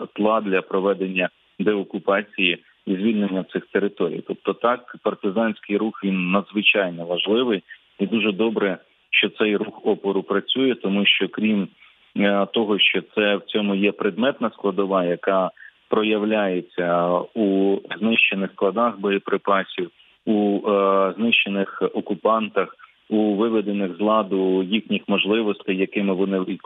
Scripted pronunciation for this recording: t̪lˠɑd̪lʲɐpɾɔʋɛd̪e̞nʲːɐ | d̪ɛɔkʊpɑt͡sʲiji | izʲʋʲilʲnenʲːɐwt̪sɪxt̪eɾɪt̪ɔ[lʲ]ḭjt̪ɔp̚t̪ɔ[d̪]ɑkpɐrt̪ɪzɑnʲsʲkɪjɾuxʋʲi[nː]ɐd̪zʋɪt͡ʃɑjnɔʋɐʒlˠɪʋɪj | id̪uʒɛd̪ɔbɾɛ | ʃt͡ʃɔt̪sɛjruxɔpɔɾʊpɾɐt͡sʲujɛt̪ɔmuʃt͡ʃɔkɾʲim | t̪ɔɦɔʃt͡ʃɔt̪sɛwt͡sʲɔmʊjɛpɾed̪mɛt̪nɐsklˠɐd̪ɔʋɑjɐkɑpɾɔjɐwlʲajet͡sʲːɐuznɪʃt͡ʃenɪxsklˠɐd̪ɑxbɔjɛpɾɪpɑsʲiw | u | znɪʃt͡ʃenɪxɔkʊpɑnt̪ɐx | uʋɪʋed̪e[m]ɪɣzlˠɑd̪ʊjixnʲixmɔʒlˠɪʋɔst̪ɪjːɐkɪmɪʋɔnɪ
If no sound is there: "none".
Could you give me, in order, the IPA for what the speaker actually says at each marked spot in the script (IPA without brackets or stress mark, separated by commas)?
ɾʲ, t̪, nː, n